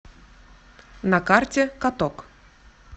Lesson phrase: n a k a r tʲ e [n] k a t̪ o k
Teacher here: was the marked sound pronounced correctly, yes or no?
no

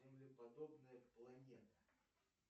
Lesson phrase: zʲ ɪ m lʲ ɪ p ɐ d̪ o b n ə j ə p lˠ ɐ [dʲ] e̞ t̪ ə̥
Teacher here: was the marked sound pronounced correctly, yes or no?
no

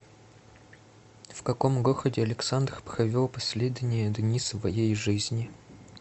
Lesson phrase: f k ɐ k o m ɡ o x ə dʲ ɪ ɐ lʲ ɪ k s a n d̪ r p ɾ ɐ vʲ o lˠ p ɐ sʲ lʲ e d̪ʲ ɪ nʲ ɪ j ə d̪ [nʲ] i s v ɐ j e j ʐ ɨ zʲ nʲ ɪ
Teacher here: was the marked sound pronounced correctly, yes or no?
yes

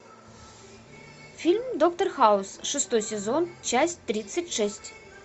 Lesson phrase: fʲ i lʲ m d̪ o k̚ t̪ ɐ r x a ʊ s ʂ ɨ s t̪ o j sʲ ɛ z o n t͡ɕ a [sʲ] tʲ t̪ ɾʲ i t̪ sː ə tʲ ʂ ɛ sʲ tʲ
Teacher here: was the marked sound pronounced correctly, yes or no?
yes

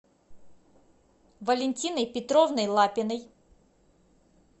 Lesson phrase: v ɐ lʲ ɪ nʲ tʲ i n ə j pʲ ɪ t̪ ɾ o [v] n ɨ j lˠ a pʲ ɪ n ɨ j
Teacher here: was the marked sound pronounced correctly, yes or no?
yes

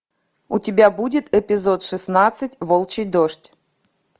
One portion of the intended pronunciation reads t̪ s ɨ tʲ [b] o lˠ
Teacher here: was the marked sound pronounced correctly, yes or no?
no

